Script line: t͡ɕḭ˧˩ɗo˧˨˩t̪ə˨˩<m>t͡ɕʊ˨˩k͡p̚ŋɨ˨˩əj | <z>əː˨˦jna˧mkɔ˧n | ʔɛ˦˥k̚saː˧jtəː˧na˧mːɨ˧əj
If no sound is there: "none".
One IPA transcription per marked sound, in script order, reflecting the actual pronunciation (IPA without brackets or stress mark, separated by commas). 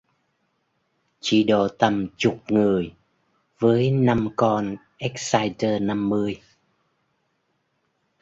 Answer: m, v